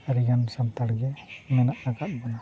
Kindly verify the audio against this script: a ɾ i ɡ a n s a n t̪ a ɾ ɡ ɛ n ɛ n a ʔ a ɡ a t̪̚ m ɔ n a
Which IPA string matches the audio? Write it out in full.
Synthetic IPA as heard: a ɾ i ɡ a n s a n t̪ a ɽ ɡ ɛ m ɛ n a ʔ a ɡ a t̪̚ b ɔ n a